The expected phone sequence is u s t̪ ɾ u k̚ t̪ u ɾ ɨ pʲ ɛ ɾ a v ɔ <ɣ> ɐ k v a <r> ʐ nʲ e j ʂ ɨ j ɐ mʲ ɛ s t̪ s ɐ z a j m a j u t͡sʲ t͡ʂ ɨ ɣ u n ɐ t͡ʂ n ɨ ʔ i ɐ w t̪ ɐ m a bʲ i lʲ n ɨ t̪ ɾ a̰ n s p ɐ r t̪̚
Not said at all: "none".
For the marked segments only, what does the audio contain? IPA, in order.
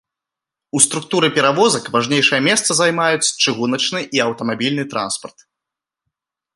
z, none

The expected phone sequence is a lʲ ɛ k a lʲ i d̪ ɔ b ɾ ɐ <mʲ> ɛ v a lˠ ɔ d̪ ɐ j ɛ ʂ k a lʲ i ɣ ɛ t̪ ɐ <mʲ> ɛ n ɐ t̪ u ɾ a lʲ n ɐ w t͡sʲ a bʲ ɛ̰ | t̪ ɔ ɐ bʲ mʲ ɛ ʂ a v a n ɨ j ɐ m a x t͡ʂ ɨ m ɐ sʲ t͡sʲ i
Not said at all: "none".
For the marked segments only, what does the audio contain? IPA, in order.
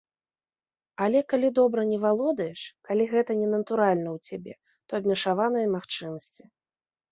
nʲ, nʲ

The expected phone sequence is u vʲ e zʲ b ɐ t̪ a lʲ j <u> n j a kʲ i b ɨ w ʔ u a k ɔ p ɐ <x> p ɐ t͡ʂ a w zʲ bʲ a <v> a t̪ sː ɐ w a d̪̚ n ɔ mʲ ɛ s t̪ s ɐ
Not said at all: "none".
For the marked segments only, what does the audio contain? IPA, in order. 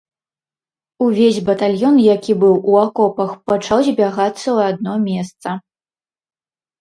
ɔ, x, ɣ

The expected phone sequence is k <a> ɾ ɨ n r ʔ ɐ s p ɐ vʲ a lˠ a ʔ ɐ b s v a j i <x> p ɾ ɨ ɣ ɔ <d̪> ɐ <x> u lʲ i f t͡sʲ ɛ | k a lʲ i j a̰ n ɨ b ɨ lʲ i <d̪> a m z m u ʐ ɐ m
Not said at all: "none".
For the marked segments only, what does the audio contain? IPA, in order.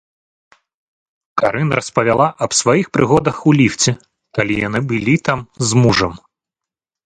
a, x, d̪, x, t̪

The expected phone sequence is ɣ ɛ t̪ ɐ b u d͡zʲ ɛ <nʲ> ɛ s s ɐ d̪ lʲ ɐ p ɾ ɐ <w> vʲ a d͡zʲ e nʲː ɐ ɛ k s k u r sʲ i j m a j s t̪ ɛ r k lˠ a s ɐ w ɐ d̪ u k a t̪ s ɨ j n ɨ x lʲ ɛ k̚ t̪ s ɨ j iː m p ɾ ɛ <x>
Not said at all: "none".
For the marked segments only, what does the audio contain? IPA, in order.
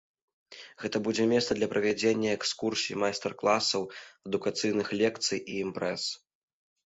mʲ, none, s

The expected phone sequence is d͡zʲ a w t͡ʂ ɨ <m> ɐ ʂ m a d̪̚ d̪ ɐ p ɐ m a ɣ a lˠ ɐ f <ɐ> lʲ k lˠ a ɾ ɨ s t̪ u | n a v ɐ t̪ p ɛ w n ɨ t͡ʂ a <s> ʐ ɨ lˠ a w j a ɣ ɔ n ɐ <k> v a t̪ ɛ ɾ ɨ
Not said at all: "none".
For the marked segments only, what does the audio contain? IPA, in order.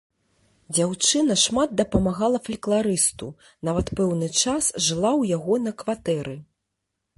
n, ɐ, s, k

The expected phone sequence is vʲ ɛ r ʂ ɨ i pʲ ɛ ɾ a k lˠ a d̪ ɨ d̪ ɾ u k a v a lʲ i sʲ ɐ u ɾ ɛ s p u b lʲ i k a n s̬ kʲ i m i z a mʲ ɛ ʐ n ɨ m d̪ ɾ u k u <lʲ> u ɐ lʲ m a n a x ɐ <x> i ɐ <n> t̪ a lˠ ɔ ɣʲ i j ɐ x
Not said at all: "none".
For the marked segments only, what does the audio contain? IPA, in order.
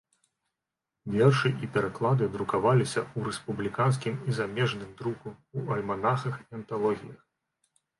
none, x, n

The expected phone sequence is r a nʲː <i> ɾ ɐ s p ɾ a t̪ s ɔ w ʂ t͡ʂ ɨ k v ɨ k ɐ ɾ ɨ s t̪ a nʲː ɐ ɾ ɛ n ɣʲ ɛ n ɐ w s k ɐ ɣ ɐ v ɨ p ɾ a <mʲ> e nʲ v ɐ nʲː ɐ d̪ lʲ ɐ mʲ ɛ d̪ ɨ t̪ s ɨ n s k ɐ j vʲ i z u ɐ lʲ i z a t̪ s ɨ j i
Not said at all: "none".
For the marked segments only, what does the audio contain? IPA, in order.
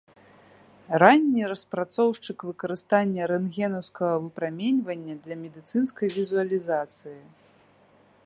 i, mʲ

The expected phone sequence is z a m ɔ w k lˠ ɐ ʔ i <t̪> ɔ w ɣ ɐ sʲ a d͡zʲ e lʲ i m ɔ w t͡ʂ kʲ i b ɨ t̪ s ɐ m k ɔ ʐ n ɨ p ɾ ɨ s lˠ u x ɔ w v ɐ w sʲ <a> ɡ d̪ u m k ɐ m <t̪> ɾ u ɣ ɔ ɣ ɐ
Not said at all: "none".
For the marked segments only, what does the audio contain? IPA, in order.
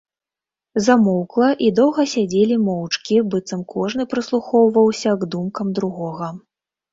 d̪, ɐ, d̪

